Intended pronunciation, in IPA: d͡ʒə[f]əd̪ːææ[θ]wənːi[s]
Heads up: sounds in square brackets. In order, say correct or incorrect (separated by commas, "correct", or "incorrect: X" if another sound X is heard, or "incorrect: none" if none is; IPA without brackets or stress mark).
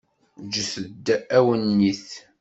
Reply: incorrect: θ, incorrect: none, incorrect: θ